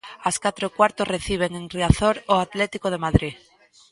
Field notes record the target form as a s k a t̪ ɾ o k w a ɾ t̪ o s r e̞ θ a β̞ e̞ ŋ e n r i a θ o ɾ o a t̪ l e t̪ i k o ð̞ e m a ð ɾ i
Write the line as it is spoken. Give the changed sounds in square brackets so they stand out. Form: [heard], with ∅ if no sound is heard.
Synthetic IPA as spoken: a s k a t̪ ɾ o k w a ɾ t̪ o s r e̞ θ [i] β̞ e̞ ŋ e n r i a θ o ɾ o a t̪ l e t̪ i k o ð̞ e m a ð ɾ i